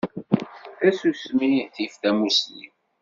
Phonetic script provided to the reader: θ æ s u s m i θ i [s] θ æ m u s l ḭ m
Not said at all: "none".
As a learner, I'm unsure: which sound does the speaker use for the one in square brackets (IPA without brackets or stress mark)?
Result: f